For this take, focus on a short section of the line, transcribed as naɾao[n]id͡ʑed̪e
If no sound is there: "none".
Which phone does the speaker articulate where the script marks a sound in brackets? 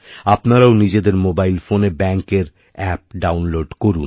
n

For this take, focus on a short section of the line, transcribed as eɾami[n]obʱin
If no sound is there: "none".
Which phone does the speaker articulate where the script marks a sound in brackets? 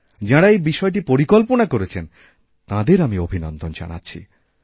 none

